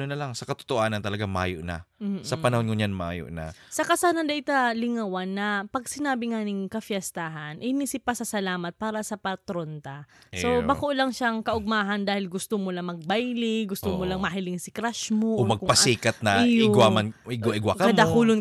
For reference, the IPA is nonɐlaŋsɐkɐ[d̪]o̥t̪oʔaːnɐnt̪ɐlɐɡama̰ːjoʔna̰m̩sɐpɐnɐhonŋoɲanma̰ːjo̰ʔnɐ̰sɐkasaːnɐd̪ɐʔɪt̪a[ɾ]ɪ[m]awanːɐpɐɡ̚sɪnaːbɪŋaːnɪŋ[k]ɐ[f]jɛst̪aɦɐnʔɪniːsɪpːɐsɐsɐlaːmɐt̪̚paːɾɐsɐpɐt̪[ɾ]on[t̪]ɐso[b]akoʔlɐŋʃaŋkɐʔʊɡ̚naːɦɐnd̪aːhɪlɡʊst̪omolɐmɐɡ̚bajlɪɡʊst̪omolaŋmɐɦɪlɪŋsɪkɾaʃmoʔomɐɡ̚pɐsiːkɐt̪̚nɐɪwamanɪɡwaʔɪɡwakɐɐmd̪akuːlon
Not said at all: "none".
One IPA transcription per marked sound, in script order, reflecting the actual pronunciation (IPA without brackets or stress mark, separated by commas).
t̪, l, ŋ, k, f, ɾ, t̪, b